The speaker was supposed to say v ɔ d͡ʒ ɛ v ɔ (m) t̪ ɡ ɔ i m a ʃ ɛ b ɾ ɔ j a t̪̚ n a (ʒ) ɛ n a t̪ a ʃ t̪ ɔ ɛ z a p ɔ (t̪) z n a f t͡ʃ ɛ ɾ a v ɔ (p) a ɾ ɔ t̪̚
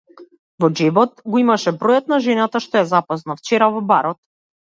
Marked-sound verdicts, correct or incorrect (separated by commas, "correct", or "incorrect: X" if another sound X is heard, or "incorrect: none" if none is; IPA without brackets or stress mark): incorrect: none, correct, incorrect: none, incorrect: b